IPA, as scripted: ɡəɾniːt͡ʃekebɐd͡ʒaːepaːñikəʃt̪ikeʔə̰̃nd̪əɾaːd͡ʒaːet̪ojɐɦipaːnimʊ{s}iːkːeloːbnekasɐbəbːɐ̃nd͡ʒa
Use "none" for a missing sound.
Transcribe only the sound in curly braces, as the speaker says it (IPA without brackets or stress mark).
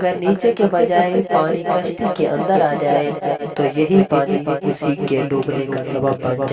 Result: s